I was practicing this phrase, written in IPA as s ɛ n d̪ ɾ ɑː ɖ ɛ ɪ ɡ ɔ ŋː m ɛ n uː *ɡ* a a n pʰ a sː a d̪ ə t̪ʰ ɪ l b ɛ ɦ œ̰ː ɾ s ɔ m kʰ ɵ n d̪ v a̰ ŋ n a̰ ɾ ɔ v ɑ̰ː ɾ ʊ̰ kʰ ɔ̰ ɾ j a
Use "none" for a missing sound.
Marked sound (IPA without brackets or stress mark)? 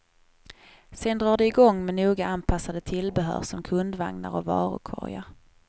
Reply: ɡ